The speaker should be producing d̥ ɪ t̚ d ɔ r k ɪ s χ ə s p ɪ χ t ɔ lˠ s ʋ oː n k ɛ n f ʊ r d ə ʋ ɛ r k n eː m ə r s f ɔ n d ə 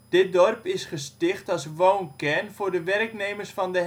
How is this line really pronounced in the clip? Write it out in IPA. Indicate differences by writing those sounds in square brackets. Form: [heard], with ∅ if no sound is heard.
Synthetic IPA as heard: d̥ ɪ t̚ d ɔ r [p] ɪ s χ ə s [t] ɪ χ t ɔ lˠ s ʋ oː n k ɛ n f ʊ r d ə ʋ ɛ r k n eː m ə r s f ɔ n d ə

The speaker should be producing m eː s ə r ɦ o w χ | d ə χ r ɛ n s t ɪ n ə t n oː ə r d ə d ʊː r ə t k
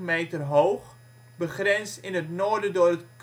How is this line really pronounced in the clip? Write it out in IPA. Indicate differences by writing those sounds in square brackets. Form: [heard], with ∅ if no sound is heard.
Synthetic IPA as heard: m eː [t] ə r ɦ o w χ | [b] ə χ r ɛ n s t ɪ n ə t n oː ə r d ə d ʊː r ə t k

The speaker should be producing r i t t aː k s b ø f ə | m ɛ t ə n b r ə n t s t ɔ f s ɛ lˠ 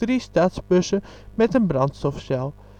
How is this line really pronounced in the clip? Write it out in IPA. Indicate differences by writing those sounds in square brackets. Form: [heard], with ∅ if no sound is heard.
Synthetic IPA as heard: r i [s] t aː [t] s b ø [s] ə | m ɛ t ə n b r [ɑ] n t s t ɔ f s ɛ lˠ

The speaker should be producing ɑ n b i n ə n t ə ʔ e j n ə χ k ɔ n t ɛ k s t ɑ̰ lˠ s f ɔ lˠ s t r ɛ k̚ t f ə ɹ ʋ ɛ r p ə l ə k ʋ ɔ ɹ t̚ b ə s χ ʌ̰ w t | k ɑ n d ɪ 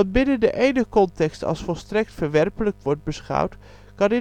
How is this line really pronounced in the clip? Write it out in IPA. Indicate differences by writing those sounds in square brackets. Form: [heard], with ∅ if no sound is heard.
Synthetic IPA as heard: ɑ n b [ɪ] n ə n [d] ə ʔ e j n ə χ k ɔ n t ɛ k s t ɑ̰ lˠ s f ɔ lˠ s t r ɛ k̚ t f ə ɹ ʋ ɛ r p ə l ə k ʋ ɔ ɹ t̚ b ə s χ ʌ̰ w t | k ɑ n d ɪ

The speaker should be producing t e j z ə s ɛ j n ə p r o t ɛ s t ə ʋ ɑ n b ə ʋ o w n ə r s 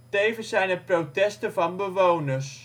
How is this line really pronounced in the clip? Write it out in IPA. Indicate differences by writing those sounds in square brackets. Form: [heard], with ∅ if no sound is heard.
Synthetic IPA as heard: t e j [v] ə s ɛ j n ə p r o t ɛ s t ə [v] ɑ n b ə ʋ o w n ə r s

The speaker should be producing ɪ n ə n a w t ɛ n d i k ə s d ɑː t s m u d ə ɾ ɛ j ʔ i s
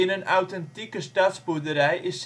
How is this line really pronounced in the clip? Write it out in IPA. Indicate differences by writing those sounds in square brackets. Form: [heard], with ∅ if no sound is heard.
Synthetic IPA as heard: ɪ n ə n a w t ɛ n [t] i k ə s [t] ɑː t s [b] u d ə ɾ ɛ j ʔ [ɪ] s

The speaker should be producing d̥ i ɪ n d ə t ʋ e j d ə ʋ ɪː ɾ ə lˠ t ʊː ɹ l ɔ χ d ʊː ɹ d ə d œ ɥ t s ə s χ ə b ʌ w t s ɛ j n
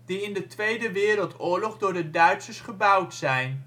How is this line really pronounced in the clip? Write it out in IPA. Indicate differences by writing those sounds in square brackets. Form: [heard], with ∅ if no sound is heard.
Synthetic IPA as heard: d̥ i ɪ n d ə t ʋ e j d ə ʋ ɪː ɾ ə lˠ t ʊː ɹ l ɔ χ d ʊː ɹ d ə d œ ɥ t s ə s χ ə b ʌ w t s ɛ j n

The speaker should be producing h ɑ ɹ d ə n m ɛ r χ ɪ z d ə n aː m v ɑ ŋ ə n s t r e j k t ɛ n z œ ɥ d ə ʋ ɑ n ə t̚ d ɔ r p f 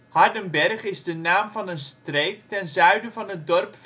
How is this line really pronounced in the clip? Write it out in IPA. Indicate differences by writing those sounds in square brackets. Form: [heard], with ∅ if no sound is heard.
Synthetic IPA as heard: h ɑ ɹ d ə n [b] ɛ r χ ɪ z d ə n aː m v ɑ [n] ə n s t r e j k t ɛ n z œ ɥ d ə [v] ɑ n ə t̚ d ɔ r p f

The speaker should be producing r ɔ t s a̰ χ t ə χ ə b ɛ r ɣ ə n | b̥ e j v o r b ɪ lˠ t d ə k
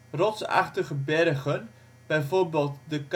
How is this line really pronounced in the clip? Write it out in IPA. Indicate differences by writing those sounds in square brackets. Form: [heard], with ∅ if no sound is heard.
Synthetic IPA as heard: r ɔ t s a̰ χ t ə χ ə b ɛ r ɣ ə n | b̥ [ɛ] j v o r b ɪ lˠ t d ə k

